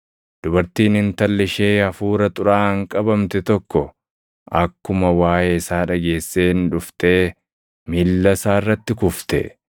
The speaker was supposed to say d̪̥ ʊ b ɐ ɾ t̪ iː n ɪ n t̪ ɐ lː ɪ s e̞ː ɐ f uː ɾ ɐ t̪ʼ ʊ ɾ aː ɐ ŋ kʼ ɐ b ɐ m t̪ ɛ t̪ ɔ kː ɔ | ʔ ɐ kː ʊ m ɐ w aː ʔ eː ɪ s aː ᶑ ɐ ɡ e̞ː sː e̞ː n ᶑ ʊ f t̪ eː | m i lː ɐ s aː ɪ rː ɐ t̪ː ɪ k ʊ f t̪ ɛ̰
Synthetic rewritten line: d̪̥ ʊ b ɐ ɾ t̪ iː n ɪ n t̪ ɐ lː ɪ ʃ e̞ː ɐ f uː ɾ ɐ t̪ʼ ʊ ɾ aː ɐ ŋ kʼ ɐ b ɐ m t̪ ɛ t̪ ɔ kː ɔ | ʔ ɐ kː ʊ m ɐ w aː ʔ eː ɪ s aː ᶑ ɐ ɡ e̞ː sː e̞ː n ᶑ ʊ f t̪ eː | m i lː ɐ s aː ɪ rː ɐ t̪ː ɪ k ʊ f t̪ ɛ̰

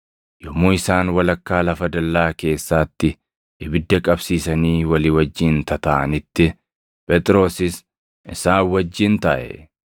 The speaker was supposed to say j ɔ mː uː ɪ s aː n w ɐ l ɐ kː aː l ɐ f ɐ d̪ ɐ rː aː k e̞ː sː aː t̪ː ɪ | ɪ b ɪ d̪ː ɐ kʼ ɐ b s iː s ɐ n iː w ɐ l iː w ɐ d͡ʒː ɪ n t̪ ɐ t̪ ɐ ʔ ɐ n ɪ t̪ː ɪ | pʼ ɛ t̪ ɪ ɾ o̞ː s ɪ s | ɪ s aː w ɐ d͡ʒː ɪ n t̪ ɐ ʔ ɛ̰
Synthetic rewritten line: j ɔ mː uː ɪ s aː n w ɐ l ɐ kː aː l ɐ f ɐ d̪ ɐ lː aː k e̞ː sː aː t̪ː ɪ | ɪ b ɪ d̪ː ɐ kʼ ɐ b s iː s ɐ n iː w ɐ l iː w ɐ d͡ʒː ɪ n t̪ ɐ t̪ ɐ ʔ ɐ n ɪ t̪ː ɪ | pʼ ɛ t̪ʼ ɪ ɾ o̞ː s ɪ s | ɪ s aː w ɐ d͡ʒː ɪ n t̪ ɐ ʔ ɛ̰

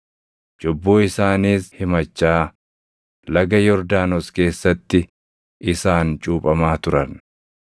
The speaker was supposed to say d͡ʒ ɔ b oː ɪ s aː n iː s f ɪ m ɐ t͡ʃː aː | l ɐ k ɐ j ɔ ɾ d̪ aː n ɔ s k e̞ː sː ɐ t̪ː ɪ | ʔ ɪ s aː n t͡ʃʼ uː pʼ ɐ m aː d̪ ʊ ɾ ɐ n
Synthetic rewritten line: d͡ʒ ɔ bː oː ɪ s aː n iː s h ɪ m ɐ t͡ʃː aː | l ɐ ɡ ɐ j ɔ ɾ d̪ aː n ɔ s k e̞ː sː ɐ t̪ː ɪ | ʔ ɪ s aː n t͡ʃʼ uː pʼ ɐ m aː t̪ ʊ ɾ ɐ n

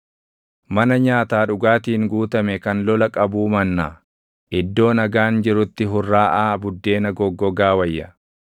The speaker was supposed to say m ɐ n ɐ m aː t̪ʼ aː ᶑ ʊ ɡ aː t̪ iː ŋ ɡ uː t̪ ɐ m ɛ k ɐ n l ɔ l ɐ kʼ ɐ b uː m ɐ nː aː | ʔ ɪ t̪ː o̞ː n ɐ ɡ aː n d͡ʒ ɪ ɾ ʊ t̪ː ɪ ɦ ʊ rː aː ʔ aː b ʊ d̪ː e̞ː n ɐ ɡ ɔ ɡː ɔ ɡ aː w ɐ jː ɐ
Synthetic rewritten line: m ɐ n ɐ ɲ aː t̪ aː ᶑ ʊ ɡ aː t̪ iː ŋ ɡ uː t̪ ɐ m ɛ k ɐ n l ɔ l ɐ kʼ ɐ b uː m ɐ nː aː | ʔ ɪ d̪ː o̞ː n ɐ ɡ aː n d͡ʒ ɪ ɾ ʊ t̪ː ɪ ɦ ʊ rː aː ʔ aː b ʊ d̪ː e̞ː n ɐ ɡ ɔ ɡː ɔ ɡ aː w ɐ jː ɐ

